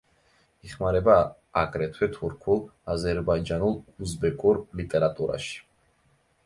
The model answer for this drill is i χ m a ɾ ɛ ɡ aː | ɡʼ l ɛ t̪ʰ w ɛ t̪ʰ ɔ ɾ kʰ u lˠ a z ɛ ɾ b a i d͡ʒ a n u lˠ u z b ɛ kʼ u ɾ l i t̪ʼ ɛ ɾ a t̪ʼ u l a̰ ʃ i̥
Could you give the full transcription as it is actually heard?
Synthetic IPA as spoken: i χ m a ɾ ɛ b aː | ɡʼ ɾ ɛ t̪ʰ w ɛ t̪ʰ u ɾ kʰ u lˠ a z ɛ ɾ b a i d͡ʒ a n u lˠ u z b ɛ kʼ u ɾ l i t̪ʼ ɛ ɾ a t̪ʼ u ɾ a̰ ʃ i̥